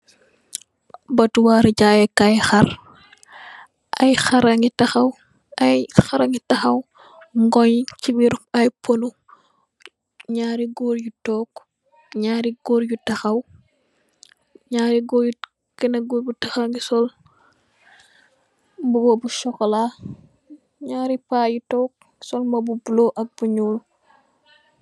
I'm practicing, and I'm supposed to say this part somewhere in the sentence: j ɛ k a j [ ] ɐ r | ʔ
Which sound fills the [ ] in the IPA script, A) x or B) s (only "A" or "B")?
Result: A